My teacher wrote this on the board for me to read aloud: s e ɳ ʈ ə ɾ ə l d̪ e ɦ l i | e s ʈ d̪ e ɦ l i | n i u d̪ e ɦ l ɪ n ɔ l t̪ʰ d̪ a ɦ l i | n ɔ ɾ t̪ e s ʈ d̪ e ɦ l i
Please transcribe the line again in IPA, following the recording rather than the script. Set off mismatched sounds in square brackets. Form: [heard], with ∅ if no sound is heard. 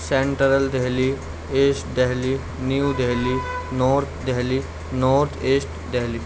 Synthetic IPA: s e ɳ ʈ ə ɾ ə l d̪ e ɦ l i | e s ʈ d̪ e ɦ l i | n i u d̪ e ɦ l [i] n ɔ [ɾ] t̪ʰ d̪ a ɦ l i | n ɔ ɾ [t̪ʰ] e s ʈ d̪ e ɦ l i